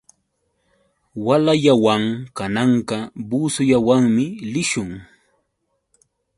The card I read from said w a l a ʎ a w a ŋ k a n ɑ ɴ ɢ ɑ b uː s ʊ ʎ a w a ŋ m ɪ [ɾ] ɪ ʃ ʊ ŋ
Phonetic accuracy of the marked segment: incorrect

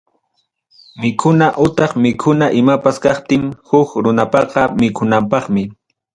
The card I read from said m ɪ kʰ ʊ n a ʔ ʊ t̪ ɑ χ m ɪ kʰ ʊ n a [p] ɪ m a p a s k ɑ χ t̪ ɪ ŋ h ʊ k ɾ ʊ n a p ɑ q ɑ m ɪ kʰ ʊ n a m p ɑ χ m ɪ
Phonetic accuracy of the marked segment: incorrect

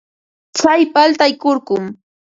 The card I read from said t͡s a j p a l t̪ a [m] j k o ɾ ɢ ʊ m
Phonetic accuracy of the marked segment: incorrect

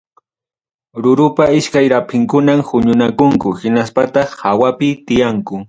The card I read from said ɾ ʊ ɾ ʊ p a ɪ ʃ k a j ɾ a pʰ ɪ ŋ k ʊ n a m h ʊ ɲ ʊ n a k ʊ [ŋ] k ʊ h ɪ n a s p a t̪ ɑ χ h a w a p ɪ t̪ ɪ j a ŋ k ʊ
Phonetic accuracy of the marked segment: correct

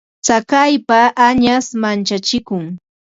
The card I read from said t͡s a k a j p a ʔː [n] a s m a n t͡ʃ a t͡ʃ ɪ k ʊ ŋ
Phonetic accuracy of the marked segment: incorrect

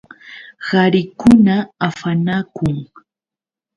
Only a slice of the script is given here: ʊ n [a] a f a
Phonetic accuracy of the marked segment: correct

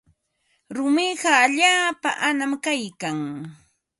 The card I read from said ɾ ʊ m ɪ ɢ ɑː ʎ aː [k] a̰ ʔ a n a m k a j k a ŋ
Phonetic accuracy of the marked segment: incorrect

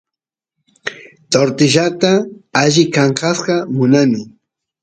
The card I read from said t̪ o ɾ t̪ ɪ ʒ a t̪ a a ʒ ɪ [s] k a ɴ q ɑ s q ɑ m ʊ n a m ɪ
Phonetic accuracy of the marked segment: incorrect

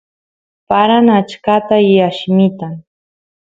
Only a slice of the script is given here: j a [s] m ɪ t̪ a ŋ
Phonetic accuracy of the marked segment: incorrect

